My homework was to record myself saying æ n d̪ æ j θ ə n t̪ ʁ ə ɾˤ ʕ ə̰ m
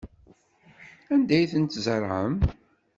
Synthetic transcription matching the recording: æ n d̪ æ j θ ə n t̪ z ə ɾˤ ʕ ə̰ m